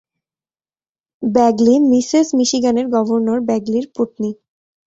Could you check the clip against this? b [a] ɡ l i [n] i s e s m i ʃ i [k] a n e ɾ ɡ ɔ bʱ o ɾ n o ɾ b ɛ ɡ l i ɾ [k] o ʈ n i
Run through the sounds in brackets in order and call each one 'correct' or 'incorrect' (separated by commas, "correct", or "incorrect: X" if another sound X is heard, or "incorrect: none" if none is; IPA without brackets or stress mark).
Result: incorrect: ɛ, incorrect: m, incorrect: ɡ, incorrect: p